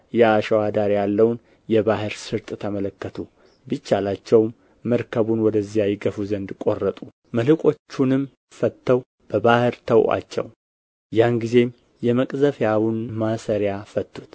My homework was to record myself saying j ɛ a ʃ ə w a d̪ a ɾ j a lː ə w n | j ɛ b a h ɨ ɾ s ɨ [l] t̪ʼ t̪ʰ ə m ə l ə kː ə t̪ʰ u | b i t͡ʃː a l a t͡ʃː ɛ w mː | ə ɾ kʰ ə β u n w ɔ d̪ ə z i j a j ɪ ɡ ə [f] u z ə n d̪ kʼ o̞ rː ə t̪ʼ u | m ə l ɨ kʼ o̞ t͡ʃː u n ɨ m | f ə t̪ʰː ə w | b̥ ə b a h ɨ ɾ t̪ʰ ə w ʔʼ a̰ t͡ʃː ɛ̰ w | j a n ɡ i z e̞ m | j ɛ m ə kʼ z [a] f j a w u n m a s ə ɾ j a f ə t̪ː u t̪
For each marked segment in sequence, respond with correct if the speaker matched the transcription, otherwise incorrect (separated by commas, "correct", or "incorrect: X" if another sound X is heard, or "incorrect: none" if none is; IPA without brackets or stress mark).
incorrect: ɾ, correct, incorrect: ə